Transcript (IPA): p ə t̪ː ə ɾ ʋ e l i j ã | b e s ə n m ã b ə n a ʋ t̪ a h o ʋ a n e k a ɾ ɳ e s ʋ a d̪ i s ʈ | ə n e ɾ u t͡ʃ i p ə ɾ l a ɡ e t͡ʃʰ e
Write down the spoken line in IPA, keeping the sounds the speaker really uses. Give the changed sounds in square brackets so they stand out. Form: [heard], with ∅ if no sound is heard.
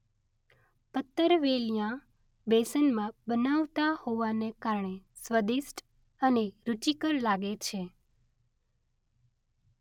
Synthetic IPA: p ə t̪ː ə ɾ ʋ e l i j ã | b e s ə n m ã b ə n a ʋ t̪ a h o ʋ a n e k a ɾ ɳ e s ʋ [ə] d̪ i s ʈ | ə n e ɾ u t͡ʃ i [k] ə ɾ l a ɡ e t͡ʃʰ e

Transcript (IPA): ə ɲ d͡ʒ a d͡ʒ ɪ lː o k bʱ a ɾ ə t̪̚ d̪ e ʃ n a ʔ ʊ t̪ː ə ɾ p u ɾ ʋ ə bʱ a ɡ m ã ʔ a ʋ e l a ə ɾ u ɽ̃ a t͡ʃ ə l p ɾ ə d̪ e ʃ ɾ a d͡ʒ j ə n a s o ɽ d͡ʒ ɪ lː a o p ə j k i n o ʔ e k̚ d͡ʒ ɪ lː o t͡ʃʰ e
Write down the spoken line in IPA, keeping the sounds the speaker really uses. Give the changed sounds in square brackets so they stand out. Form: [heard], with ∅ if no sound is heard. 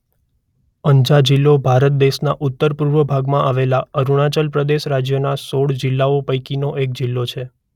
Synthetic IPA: ə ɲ d͡ʒ a d͡ʒ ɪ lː o [∅] bʱ a ɾ ə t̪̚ d̪ e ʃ n a ʔ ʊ t̪ː ə ɾ p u ɾ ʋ ə bʱ a ɡ m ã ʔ a ʋ e l a ə ɾ u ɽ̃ a t͡ʃ ə l p ɾ ə d̪ e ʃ ɾ a d͡ʒ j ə n a s o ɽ d͡ʒ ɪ lː a o p ə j k i n o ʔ e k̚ d͡ʒ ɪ lː o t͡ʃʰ e

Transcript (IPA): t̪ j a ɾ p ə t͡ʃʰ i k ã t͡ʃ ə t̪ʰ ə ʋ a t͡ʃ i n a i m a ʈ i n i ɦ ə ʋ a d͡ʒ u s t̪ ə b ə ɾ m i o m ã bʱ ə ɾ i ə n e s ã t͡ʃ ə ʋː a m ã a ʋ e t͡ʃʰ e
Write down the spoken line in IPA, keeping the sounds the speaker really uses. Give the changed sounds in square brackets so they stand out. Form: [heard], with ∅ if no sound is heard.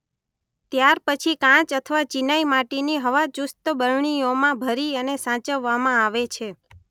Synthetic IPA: t̪ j a ɾ p ə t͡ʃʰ i k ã t͡ʃ ə t̪ʰ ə ʋ a t͡ʃ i n a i m a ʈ i n i ɦ ə ʋ a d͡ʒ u s t̪ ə b ə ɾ [ɳ] i o m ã bʱ ə ɾ i ə n e s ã t͡ʃ ə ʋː a m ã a ʋ e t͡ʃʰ e

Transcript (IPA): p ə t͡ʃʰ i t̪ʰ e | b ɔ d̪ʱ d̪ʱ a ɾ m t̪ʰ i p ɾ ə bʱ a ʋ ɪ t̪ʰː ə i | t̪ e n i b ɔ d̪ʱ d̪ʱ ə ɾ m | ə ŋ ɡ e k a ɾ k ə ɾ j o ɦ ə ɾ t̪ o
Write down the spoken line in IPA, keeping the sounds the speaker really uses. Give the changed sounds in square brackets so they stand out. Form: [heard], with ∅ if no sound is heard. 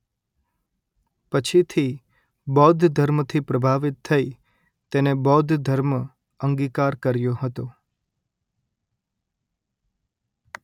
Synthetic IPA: p ə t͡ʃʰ i t̪ʰ [i] | b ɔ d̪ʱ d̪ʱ [ə] ɾ m t̪ʰ i p ɾ ə bʱ a ʋ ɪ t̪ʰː ə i | t̪ e n [e] b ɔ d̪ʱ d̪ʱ ə ɾ m | ə ŋ ɡ [i] k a ɾ k ə ɾ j o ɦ ə [∅] t̪ o

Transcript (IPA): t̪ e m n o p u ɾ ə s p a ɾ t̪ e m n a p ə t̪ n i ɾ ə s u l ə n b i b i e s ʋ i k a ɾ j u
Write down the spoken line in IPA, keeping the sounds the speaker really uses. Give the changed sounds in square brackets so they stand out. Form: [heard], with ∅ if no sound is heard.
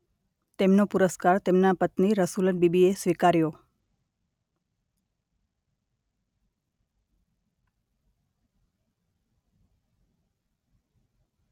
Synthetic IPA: t̪ e m n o p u ɾ ə s [k] a ɾ t̪ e m n a p ə t̪ n i ɾ ə s u l ə n b i b i e s ʋ i k a ɾ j [o]

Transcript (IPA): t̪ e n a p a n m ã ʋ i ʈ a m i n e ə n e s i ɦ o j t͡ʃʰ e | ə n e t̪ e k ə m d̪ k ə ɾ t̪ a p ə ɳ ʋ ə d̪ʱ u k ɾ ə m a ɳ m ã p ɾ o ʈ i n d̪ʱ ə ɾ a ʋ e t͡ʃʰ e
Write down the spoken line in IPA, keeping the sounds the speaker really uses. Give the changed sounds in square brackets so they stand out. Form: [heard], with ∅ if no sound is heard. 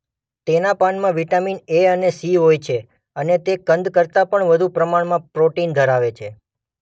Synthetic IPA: t̪ e n a p a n m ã ʋ i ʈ a m i n e ə n e s i ɦ o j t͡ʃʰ e | ə n e t̪ e k ə [n] d̪ k ə ɾ t̪ a p ə ɳ ʋ ə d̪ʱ u [p] ɾ ə m a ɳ m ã p ɾ o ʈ i n d̪ʱ ə ɾ a ʋ e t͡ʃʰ e

